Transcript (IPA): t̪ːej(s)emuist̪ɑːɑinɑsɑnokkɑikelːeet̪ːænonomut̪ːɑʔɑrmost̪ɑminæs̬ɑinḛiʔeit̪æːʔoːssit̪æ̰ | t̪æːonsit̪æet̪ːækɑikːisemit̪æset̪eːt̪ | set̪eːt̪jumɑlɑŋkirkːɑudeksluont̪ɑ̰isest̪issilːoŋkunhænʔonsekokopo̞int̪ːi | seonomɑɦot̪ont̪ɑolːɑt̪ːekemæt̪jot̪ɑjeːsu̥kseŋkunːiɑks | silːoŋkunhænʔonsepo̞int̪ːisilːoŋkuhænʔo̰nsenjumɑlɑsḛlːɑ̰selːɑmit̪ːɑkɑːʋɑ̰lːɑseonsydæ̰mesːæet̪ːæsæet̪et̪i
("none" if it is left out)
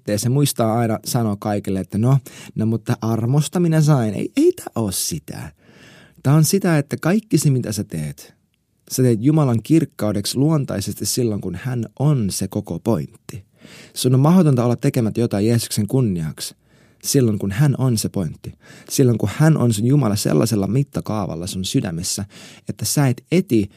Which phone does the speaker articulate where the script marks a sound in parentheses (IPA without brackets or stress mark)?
s